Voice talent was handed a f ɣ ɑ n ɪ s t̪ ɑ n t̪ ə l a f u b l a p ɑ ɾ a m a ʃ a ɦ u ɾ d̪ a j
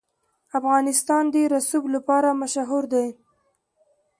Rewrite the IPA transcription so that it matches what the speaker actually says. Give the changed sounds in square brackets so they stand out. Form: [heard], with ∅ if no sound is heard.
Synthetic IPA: a f ɣ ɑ n ɪ s t̪ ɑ n [d̪] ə [ɾ] a [s] u b l a p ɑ ɾ a m a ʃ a ɦ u ɾ d̪ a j